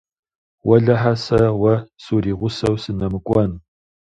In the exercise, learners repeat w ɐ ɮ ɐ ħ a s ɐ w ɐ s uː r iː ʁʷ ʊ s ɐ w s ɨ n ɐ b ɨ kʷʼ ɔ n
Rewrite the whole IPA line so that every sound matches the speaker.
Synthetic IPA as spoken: w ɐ ɮ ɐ ħ a s ɐ w ɐ s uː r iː ʁʷ ʊ s ɐ w s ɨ n ɐ m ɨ kʷʼ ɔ n